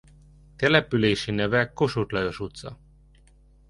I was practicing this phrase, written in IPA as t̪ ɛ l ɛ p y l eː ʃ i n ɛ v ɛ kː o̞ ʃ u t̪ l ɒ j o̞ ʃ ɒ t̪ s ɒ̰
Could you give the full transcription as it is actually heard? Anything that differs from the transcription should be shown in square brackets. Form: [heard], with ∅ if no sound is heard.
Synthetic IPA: t̪ ɛ l ɛ p y l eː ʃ i n ɛ v ɛ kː o̞ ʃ u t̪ l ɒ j o̞ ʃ [u] t̪ s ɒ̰